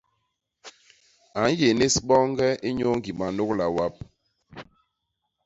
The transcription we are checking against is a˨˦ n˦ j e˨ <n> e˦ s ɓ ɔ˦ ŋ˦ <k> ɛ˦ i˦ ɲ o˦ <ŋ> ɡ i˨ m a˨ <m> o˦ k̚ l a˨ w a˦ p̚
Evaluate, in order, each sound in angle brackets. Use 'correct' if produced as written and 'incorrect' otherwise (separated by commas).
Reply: correct, incorrect, correct, incorrect